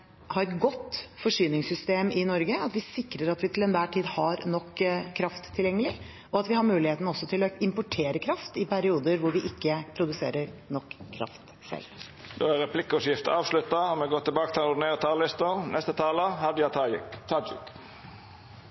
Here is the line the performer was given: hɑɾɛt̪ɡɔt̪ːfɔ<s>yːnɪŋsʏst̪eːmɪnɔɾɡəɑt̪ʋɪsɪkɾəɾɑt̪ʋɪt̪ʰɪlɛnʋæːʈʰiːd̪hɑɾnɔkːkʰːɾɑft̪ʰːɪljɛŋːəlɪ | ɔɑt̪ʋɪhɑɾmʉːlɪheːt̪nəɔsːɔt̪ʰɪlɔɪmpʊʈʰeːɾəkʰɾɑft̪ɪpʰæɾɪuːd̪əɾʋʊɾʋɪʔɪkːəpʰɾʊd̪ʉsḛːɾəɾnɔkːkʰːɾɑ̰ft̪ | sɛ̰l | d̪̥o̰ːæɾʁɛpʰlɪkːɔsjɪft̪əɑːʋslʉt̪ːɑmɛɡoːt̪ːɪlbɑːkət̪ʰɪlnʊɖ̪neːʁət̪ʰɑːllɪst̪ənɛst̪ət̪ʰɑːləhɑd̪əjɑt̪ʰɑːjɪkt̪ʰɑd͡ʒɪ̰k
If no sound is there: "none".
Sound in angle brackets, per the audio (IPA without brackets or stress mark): ʂ